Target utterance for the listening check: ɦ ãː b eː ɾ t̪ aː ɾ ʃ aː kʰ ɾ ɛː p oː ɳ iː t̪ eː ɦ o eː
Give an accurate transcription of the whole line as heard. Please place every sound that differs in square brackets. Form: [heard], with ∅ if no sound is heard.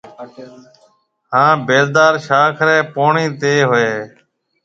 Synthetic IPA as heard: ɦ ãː b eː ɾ [d̪] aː ɾ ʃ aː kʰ ɾ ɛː p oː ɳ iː t̪ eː ɦ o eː